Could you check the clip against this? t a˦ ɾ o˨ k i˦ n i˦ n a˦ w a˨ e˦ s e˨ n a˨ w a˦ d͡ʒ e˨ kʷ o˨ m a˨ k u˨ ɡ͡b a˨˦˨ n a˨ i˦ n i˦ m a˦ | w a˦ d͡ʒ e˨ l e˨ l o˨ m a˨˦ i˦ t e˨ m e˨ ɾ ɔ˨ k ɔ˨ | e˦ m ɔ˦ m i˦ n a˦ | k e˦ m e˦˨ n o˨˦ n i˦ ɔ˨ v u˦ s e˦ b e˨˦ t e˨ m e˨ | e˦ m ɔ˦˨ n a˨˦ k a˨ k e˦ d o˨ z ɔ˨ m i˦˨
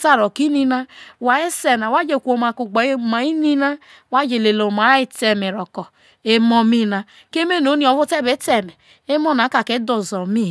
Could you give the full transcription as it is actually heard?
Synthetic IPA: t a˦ ɾ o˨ k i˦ n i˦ n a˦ w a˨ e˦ s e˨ n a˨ w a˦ d͡ʒ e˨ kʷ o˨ m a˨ k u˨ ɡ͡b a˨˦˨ m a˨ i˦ n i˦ n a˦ | w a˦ d͡ʒ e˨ l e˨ l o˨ m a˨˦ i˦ t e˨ m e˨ ɾ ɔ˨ k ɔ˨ | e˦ m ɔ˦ m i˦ n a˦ | k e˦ m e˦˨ n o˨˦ n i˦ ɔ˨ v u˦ t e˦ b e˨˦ t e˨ m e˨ | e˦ m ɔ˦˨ n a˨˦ k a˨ k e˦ d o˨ z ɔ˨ m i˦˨